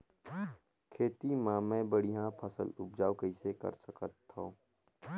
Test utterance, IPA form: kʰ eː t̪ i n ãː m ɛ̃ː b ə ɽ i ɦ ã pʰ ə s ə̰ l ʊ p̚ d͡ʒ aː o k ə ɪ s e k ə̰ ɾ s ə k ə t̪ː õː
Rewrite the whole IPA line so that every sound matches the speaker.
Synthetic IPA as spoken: kʰ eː t̪ i m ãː m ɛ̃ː b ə ɽ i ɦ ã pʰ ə s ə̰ l ʊ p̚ d͡ʒ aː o k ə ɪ s e k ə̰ ɾ s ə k ə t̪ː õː